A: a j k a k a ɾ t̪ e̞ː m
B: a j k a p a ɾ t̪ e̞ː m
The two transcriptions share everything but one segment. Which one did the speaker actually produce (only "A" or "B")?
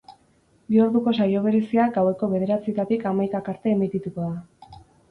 A